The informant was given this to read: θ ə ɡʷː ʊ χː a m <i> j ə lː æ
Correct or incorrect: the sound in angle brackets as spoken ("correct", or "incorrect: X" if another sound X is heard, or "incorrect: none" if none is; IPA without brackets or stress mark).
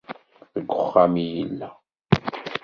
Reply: correct